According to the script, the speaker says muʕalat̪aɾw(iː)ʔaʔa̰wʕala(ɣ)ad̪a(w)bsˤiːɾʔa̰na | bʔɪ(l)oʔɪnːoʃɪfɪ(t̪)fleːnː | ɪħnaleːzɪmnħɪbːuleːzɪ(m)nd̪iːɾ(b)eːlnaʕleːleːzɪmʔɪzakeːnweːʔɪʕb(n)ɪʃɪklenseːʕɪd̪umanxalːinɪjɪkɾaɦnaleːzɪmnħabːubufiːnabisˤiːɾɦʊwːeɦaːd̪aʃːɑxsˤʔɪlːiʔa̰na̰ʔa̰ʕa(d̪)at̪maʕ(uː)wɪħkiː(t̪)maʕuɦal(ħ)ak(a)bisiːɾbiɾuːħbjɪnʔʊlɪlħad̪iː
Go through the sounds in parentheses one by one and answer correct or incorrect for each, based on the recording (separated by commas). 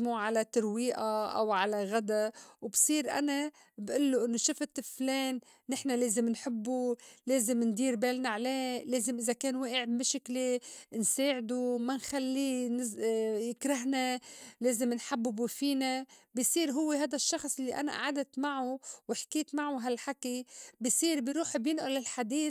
correct, correct, correct, incorrect, correct, correct, correct, incorrect, correct, incorrect, correct, correct, incorrect